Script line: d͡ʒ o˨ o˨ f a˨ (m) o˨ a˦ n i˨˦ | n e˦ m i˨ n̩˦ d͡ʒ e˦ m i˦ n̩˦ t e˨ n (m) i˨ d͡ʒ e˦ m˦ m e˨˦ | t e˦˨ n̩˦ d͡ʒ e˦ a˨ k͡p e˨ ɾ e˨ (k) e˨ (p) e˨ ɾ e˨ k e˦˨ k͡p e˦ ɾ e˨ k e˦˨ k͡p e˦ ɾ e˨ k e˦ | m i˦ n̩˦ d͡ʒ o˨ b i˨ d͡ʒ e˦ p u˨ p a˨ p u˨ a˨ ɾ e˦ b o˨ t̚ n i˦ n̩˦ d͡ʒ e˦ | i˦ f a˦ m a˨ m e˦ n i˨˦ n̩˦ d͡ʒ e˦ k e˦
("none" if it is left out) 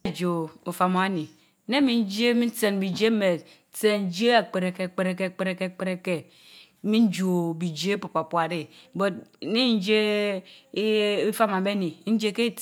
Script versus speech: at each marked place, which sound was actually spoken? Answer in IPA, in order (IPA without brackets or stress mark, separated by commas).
m, b, k, k͡p